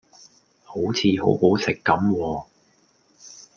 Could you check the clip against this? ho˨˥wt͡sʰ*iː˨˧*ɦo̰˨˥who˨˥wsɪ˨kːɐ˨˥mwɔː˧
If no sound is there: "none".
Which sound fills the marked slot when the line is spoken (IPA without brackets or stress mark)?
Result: iː˨˧